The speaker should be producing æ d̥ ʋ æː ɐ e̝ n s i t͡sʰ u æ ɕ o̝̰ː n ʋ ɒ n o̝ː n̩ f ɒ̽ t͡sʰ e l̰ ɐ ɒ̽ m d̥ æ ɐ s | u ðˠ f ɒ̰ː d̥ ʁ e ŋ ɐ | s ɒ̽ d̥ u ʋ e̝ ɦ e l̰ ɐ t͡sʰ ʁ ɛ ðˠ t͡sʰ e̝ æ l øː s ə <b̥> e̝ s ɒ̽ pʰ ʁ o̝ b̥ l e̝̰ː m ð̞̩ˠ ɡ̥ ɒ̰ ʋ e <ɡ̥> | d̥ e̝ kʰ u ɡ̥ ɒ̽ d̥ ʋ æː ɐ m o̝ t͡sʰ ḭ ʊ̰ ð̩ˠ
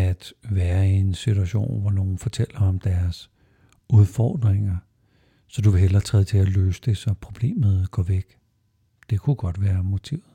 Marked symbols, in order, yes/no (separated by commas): no, yes